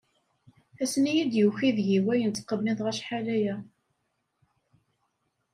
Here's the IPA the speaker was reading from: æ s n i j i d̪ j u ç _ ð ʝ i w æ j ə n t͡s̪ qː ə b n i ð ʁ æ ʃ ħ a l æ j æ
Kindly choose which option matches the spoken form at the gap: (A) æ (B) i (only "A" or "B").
B